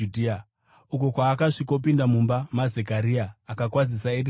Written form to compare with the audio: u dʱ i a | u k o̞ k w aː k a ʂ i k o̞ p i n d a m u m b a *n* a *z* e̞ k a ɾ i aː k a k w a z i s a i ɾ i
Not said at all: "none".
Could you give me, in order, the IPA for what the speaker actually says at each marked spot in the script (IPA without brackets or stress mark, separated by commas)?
m, z